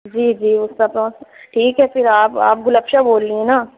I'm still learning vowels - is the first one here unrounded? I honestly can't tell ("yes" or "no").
yes